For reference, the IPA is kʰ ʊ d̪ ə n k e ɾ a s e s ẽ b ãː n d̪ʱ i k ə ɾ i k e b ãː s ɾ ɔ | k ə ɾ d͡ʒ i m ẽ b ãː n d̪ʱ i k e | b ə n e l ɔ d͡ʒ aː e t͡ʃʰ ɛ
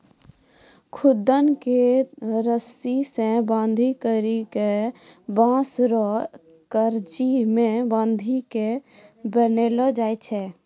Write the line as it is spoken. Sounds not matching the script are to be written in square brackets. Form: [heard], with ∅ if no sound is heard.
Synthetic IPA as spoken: kʰ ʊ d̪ ə n k e ɾ [ə] s [i] s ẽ b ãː n d̪ʱ i k ə ɾ i k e b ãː s ɾ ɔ | k ə ɾ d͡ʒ i m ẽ b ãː n d̪ʱ i k e | b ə n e l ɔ d͡ʒ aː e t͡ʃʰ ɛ